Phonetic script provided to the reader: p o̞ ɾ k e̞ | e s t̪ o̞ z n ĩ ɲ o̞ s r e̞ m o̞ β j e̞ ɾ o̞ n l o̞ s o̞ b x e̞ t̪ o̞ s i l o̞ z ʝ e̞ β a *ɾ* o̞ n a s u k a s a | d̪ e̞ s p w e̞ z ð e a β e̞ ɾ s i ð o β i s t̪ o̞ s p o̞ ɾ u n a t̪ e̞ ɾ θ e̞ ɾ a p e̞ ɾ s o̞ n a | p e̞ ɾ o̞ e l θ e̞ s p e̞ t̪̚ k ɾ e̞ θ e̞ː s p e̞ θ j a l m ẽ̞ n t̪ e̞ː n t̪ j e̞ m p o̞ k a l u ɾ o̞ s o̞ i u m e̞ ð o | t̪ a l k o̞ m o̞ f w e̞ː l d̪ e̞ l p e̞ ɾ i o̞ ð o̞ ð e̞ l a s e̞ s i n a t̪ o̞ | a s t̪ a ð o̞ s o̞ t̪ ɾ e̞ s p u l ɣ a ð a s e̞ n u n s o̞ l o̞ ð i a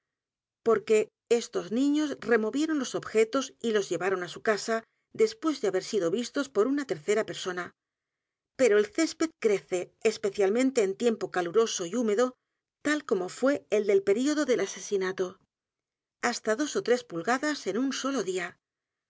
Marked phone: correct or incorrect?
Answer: correct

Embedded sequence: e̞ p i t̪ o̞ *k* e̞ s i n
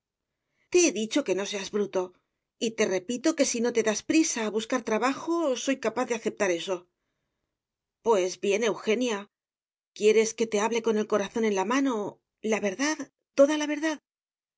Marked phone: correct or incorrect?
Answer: correct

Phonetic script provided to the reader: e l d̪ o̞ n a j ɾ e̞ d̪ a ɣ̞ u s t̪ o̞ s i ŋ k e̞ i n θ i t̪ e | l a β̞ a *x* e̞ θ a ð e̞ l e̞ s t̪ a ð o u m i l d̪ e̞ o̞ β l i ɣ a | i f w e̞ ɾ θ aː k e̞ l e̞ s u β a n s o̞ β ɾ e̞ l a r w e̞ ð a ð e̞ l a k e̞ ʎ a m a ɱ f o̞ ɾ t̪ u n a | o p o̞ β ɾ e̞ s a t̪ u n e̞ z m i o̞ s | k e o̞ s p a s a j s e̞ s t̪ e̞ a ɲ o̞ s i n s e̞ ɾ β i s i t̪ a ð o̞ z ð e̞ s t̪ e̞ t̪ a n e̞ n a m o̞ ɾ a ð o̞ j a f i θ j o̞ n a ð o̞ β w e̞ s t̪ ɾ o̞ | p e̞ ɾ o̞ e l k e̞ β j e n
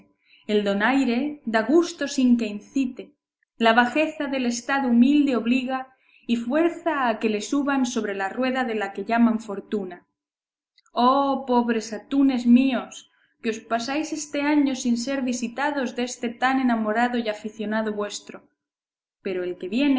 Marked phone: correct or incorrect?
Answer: correct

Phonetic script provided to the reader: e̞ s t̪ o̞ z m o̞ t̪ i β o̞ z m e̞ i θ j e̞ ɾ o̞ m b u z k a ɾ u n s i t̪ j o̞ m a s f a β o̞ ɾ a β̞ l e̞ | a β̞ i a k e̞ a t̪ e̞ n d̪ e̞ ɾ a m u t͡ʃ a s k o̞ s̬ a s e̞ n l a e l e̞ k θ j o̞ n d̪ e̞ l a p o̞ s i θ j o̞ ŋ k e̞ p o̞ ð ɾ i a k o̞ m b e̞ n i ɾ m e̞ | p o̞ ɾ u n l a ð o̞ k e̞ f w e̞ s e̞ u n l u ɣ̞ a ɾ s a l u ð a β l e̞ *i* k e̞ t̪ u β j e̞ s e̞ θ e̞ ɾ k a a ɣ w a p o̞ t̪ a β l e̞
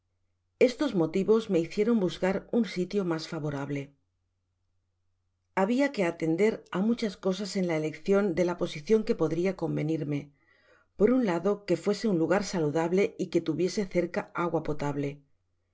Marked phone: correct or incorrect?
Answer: correct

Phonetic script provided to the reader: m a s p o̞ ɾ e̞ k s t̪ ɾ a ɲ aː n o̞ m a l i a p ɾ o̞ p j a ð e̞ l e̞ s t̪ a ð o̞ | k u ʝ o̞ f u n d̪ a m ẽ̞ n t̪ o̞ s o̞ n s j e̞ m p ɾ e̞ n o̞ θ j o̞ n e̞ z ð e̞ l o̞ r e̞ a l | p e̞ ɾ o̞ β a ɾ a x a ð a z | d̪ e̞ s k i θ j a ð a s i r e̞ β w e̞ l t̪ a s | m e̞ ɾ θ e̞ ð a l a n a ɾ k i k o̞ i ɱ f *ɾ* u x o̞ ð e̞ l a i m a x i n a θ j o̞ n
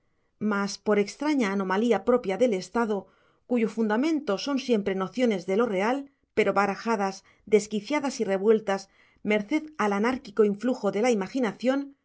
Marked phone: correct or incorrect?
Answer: incorrect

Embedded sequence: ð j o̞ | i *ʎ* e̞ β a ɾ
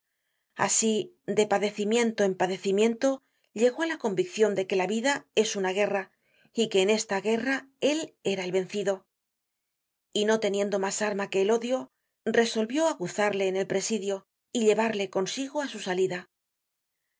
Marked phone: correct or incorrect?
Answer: correct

